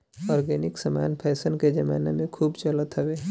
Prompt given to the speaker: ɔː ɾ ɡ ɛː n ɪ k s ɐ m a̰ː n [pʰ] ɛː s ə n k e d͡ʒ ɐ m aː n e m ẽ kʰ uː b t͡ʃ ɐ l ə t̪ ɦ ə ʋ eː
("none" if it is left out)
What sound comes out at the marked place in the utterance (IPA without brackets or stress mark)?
pʰ